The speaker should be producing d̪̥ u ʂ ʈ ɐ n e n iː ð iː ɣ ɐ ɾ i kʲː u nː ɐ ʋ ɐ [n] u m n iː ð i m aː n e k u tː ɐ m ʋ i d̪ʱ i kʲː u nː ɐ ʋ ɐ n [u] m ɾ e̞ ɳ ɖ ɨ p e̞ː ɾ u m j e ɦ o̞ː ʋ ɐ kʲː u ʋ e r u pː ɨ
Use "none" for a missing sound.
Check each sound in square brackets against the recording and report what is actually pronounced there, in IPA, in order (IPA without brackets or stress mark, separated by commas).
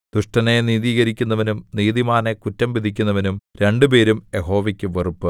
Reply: n, u